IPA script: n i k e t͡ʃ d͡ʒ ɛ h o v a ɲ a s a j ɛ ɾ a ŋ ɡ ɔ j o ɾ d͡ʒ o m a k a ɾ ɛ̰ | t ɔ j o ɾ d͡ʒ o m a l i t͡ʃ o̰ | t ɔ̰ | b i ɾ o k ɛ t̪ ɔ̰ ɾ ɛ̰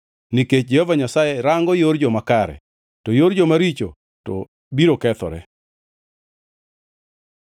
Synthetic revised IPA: n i k e t͡ʃ d͡ʒ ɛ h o v a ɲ a s a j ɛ ɾ a ŋ ɡ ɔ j o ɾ d͡ʒ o m a k a ɾ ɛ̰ | t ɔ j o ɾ d͡ʒ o m a ɾ i t͡ʃ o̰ | t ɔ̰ | b i ɾ o k ɛ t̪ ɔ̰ ɾ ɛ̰